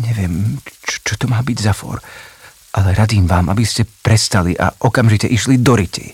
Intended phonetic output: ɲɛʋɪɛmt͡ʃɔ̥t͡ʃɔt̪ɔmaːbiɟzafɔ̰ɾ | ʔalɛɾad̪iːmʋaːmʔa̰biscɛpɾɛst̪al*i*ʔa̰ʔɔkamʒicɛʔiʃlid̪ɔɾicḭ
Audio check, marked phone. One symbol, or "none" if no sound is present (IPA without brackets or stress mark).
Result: i